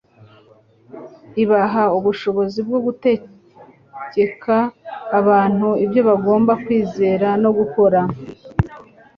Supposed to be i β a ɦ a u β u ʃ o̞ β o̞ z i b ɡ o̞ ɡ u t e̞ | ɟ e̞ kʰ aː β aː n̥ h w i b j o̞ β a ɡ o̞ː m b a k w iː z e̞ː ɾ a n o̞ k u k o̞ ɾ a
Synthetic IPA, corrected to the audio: i β a ɦ a u β u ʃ o̞ β o̞ z i b ɡ o̞ ɡ u t e̞ | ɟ e̞ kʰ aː β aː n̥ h u i b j o̞ β a ɡ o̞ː m b a k w iː z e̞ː ɾ a n o̞ ɡ u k o̞ ɾ a